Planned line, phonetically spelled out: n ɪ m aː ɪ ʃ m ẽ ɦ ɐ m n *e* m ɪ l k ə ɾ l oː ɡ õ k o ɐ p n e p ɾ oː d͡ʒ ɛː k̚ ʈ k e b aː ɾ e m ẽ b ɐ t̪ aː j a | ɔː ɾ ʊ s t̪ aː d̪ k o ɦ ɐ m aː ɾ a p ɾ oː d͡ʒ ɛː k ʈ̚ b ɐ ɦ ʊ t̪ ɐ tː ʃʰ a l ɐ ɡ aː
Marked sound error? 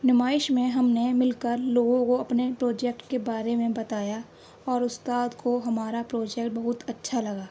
no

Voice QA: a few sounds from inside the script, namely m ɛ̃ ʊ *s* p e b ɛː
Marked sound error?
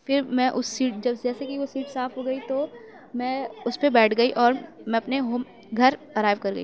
no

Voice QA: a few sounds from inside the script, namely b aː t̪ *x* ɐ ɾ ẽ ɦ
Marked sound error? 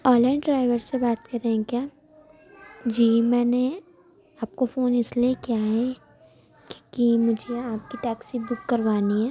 yes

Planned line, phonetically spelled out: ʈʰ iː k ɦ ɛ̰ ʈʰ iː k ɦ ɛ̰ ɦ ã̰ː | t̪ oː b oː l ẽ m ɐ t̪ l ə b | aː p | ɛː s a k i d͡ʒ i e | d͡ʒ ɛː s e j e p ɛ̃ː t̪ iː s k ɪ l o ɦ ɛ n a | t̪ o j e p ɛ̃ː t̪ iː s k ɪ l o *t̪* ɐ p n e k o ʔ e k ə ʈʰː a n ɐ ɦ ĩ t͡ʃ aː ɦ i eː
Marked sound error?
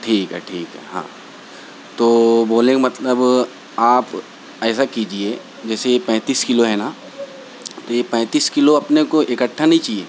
yes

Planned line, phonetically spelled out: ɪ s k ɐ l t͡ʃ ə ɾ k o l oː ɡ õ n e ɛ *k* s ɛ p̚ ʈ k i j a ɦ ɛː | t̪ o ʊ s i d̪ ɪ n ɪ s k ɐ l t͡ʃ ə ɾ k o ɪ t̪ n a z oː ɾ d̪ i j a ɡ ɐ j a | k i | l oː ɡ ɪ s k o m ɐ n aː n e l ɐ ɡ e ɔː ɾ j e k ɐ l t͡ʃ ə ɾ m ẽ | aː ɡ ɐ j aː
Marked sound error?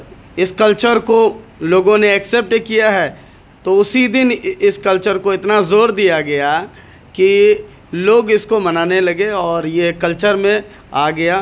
no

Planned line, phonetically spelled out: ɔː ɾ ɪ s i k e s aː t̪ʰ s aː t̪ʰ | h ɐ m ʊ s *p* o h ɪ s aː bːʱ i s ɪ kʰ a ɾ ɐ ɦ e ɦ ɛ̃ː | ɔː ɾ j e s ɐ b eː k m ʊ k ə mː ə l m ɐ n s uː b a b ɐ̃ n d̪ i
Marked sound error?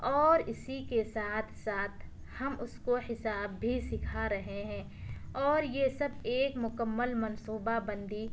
yes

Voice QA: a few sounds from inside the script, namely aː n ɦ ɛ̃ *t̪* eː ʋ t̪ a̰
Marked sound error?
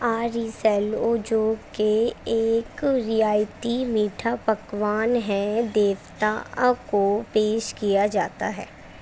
yes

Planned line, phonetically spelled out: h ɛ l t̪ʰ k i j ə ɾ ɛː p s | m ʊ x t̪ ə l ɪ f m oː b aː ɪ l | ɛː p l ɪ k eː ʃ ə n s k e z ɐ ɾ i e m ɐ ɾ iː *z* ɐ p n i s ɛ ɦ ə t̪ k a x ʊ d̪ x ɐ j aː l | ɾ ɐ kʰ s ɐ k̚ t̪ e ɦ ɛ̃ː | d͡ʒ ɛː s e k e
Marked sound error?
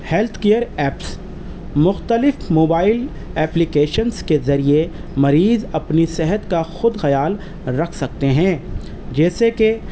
no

